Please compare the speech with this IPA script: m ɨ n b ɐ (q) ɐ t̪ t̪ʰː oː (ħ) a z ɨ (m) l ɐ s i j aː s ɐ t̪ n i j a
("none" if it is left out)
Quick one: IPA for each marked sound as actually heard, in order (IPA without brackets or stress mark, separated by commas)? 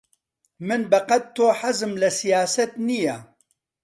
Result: q, ħ, m